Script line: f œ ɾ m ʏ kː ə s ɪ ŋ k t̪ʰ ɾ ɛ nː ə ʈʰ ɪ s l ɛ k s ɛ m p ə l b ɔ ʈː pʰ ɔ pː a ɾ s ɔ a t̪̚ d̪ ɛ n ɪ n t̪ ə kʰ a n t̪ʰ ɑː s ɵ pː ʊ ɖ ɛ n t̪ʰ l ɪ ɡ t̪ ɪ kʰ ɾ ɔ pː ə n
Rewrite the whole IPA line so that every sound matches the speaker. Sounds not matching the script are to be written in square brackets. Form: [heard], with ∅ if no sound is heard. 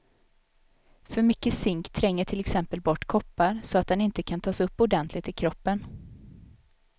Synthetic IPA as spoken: f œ ɾ m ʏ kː ə s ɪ ŋ k t̪ʰ ɾ ɛ [ŋː] ə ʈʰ ɪ [∅] l ɛ k s ɛ m p ə l b ɔ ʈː [kʰ] ɔ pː a ɾ s ɔ a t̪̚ d̪ ɛ n ɪ n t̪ ə kʰ a n t̪ʰ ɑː s ɵ pː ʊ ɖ ɛ n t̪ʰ l ɪ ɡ t̪ ɪ kʰ ɾ ɔ pː ə n